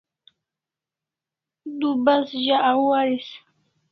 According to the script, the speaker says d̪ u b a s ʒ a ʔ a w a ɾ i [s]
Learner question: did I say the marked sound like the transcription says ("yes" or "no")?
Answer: yes